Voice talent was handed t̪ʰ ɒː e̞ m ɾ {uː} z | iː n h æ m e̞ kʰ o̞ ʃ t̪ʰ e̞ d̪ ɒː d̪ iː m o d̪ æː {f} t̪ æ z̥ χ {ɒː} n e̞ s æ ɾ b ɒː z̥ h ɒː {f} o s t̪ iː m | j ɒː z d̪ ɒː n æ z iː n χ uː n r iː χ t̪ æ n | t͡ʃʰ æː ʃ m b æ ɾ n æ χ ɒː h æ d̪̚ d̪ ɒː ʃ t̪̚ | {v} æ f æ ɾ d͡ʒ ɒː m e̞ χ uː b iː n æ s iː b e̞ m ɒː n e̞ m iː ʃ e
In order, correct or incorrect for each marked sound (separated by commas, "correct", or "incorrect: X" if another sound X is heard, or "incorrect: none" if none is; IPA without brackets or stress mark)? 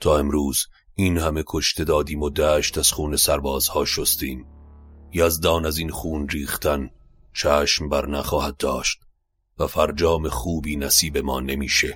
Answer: correct, incorrect: ʃ, incorrect: uː, incorrect: ʃ, correct